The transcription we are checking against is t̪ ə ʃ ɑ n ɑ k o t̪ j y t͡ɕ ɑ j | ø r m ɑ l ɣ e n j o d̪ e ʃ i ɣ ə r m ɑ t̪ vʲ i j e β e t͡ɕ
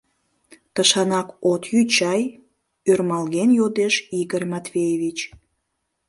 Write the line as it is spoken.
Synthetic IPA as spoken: t̪ ə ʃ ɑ n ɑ k o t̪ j y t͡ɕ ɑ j | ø r m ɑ l ɣ e n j o d̪ e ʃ i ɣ ə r m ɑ t̪ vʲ e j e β i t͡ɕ